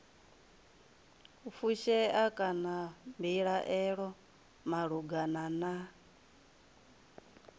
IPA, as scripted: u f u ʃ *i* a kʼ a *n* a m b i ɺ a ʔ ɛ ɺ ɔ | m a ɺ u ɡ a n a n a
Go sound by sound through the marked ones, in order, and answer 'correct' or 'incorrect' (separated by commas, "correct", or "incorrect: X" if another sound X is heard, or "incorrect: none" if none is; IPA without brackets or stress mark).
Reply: incorrect: ɛ, correct